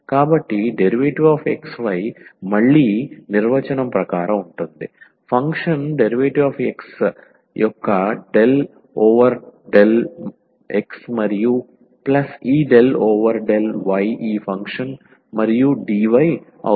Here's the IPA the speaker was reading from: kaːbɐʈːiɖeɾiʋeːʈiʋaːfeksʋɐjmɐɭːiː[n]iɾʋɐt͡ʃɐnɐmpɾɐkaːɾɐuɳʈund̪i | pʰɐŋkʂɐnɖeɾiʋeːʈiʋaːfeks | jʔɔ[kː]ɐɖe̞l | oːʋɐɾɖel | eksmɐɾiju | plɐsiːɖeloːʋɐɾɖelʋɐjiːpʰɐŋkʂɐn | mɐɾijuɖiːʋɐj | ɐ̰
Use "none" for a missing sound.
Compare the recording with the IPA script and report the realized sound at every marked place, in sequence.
n, kː

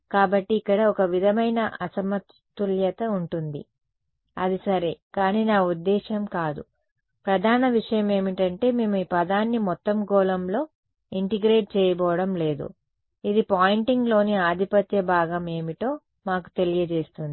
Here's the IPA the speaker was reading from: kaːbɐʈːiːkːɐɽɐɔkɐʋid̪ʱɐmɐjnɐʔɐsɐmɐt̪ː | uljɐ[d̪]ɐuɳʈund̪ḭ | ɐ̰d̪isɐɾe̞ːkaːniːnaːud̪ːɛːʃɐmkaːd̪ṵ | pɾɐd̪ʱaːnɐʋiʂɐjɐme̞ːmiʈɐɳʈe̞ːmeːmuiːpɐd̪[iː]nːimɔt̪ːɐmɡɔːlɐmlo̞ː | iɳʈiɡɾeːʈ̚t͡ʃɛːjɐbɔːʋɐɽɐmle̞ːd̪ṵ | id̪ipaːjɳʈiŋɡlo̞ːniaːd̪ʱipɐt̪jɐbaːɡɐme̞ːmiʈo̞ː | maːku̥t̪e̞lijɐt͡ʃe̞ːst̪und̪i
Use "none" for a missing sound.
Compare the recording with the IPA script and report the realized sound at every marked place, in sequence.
t̪, aː

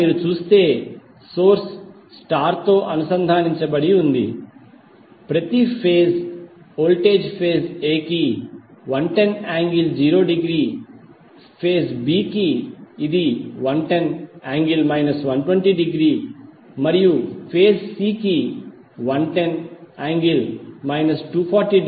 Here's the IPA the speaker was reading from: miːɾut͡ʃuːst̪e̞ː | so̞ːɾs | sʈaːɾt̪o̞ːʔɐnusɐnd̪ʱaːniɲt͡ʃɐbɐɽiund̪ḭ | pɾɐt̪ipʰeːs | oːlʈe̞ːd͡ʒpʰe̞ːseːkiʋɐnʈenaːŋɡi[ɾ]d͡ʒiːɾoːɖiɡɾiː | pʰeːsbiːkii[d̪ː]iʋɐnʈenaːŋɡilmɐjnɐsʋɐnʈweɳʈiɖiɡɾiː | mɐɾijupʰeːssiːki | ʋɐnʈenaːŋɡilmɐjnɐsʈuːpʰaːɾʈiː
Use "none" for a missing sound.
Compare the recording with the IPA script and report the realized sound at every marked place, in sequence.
l, d̪

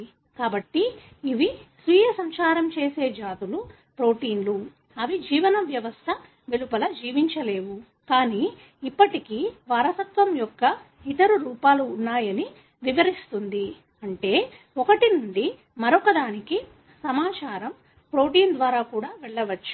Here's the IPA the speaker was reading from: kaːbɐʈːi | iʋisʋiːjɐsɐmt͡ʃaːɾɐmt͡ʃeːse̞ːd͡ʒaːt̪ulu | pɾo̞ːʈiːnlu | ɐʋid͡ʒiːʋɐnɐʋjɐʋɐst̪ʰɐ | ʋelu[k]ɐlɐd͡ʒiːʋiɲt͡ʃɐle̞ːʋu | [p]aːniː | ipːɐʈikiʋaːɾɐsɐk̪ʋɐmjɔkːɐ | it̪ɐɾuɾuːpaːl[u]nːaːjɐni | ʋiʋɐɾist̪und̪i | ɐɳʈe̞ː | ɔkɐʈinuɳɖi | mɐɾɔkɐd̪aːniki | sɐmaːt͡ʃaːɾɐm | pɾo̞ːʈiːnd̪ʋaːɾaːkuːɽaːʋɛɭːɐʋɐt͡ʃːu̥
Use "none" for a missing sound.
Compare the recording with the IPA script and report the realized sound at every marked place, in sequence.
p, k, uː

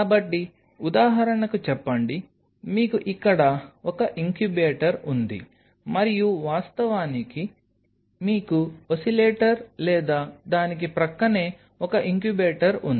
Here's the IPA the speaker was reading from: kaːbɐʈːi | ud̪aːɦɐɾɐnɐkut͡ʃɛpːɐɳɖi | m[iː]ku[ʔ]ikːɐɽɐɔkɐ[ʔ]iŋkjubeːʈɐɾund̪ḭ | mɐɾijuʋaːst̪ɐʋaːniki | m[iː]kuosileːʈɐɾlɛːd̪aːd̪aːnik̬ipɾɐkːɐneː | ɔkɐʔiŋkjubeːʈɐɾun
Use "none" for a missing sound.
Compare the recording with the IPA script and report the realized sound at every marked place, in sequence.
iː, ʔ, ʔ, iː

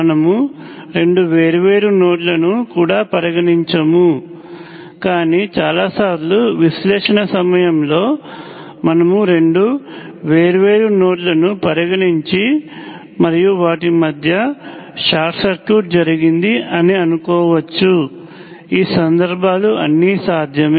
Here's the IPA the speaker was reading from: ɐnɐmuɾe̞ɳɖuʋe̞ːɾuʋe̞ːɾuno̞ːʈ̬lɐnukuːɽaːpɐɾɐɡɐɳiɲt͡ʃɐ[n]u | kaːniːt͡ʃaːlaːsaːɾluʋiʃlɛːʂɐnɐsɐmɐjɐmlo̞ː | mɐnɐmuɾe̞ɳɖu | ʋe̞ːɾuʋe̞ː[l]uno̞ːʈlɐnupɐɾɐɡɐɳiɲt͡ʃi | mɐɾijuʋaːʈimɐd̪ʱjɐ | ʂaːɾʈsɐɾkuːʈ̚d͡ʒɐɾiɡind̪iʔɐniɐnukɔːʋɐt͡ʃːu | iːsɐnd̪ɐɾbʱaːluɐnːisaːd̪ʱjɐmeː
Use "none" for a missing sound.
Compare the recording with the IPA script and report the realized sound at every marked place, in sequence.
m, ɾ

